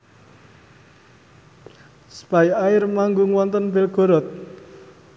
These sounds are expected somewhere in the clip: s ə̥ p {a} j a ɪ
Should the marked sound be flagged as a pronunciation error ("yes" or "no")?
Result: no